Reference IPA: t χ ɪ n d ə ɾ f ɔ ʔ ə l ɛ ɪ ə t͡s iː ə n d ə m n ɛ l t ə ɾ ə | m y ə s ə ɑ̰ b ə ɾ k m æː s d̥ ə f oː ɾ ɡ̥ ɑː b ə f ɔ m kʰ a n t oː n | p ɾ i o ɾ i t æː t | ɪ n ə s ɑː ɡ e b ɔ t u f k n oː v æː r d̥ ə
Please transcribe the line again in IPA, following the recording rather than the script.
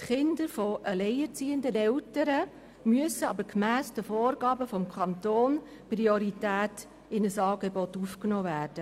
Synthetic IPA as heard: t χ ɪ n d ə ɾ f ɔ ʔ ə l ɛ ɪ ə t͡s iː ə n d ə n ɛ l t ə ɾ ə | m y ə s ə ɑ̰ b ə ɾ k m æː s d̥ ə f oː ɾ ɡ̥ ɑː b ə f ɔ m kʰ ɑ n t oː n | p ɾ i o ɾ i t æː t | ɪ n ə s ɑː ɡ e b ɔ t u f k n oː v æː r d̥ ə